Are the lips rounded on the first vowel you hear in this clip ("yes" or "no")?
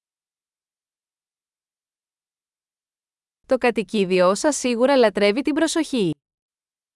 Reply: yes